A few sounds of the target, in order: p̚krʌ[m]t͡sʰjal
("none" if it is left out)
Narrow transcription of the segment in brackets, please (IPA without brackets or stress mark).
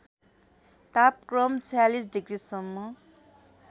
m